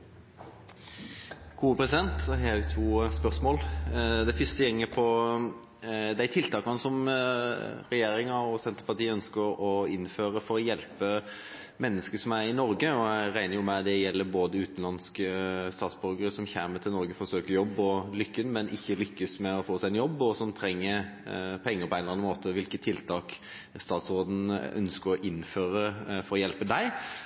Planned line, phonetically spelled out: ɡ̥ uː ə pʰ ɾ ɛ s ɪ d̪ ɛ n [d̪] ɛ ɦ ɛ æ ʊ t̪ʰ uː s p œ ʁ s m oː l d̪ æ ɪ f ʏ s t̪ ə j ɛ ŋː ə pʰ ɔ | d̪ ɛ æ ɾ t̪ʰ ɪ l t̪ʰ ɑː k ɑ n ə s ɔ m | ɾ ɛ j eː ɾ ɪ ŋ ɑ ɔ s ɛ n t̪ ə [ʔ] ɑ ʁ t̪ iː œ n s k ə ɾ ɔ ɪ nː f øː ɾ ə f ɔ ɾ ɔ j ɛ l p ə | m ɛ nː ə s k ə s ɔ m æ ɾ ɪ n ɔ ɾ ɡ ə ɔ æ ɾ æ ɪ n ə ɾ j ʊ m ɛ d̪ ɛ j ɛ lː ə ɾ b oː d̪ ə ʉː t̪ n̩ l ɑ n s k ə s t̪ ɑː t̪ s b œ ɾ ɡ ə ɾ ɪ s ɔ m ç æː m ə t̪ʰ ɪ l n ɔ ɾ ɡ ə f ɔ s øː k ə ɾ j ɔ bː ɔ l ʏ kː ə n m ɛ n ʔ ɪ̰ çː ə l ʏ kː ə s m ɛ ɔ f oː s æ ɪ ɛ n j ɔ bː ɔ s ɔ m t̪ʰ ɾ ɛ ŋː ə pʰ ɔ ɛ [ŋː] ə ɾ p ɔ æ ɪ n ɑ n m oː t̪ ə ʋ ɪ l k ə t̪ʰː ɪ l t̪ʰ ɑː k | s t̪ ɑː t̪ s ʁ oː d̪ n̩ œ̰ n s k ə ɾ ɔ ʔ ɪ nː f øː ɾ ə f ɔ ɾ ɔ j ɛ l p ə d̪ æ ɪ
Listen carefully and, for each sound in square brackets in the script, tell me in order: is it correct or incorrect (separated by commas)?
incorrect, incorrect, correct